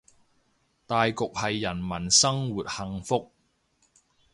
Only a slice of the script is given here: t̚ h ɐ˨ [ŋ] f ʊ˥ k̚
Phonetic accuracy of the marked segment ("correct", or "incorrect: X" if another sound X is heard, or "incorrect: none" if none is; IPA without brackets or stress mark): correct